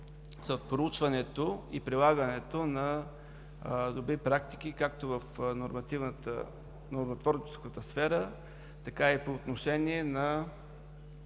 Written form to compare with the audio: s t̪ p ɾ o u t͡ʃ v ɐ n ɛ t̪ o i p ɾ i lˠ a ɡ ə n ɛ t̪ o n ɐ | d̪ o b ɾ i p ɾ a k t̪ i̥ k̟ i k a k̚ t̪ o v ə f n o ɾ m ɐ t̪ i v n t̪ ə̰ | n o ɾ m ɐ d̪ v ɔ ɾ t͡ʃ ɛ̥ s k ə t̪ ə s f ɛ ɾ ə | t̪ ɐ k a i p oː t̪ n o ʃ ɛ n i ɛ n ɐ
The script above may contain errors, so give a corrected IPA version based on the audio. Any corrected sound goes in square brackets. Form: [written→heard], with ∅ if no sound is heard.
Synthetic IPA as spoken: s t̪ p ɾ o u t͡ʃ v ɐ n ɛ t̪ o i p ɾ i lˠ a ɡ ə n ɛ t̪ o n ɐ | d̪ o b ɾ i p ɾ a k t̪ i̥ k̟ i k a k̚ t̪ o v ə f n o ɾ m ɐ t̪ i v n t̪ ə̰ | n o ɾ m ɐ [d̪→t̪] v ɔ ɾ t͡ʃ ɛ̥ s k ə t̪ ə s f ɛ ɾ ə | t̪ ɐ k a i p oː t̪ n o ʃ ɛ n i ɛ n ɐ